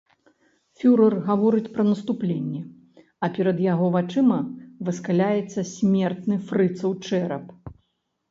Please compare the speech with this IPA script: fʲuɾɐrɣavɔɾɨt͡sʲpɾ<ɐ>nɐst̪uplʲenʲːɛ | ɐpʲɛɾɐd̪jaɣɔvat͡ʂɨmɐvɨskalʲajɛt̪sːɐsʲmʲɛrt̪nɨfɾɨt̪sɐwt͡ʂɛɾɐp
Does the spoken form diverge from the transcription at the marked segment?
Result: no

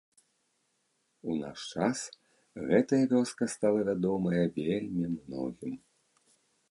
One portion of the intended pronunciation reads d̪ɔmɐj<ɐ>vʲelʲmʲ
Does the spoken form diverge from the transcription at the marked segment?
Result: no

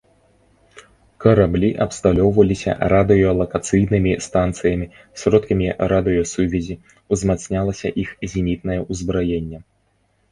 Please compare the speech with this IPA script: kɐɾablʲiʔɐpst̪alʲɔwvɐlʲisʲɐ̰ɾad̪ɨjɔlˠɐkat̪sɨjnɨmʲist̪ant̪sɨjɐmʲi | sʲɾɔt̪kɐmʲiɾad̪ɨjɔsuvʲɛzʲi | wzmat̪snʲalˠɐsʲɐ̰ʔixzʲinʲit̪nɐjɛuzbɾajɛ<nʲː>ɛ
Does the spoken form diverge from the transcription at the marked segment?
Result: no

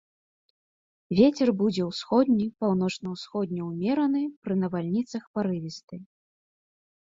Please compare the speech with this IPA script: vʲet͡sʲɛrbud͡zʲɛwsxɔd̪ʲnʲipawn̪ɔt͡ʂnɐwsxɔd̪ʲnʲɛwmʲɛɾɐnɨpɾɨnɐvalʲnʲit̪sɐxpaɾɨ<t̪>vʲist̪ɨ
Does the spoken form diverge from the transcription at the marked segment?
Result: yes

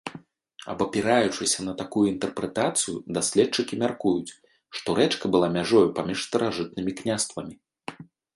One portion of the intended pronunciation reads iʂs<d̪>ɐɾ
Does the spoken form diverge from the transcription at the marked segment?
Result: yes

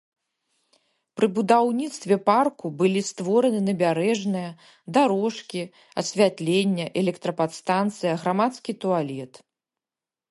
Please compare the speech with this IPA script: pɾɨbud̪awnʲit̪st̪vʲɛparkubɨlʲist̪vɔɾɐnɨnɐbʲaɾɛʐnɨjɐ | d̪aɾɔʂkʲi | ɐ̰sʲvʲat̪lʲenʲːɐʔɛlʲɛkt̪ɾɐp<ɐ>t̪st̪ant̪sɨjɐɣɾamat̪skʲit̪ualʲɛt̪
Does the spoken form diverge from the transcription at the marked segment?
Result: yes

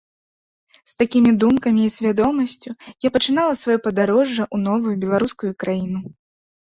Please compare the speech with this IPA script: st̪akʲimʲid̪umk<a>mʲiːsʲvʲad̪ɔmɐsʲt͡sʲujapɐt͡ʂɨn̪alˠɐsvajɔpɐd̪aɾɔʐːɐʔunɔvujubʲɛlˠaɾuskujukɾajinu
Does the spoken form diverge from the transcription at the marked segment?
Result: yes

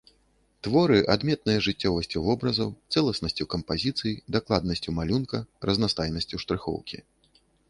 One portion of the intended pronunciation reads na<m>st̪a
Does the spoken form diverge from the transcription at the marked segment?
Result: yes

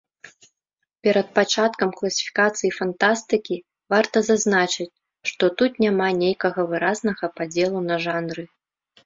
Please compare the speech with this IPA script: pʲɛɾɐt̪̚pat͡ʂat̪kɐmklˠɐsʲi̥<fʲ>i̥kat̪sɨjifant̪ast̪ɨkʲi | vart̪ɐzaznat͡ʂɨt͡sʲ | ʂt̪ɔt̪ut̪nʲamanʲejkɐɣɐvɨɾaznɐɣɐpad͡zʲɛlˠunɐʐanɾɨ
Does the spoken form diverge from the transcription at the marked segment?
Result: no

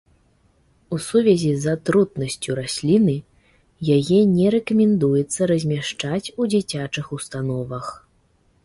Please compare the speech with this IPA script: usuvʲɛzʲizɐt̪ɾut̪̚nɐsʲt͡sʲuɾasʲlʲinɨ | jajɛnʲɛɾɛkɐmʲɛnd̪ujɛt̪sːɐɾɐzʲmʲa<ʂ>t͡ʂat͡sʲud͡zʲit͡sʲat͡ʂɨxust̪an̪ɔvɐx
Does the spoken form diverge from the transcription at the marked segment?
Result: no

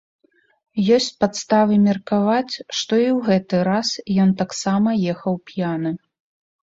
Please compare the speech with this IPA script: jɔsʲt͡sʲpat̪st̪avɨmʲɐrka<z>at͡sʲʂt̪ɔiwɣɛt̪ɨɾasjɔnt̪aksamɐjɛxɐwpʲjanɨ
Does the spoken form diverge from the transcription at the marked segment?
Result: yes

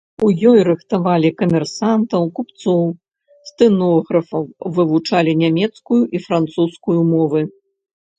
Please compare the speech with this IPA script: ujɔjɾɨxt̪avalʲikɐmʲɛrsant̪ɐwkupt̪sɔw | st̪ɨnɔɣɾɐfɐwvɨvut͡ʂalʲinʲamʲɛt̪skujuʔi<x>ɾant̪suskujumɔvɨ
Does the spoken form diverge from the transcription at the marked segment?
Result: yes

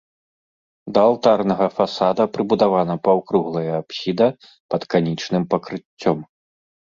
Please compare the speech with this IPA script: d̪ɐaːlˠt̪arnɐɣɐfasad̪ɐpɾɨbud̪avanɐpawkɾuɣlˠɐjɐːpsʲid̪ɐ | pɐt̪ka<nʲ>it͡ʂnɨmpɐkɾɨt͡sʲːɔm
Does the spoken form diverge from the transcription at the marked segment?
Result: no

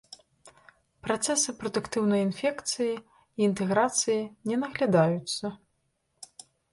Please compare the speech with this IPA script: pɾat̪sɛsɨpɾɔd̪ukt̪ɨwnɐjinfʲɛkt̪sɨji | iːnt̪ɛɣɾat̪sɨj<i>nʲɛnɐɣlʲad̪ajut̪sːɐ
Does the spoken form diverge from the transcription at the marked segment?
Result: no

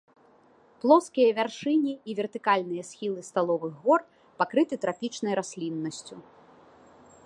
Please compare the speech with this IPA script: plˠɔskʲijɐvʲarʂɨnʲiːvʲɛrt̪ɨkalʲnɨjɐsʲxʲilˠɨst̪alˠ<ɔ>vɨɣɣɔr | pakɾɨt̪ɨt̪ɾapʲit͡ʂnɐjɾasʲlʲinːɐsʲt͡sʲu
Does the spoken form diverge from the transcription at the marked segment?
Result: no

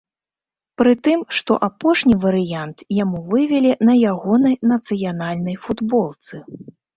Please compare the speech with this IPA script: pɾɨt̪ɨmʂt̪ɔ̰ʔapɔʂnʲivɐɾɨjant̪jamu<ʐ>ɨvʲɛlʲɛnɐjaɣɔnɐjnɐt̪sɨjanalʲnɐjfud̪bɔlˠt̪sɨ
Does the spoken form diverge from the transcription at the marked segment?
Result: yes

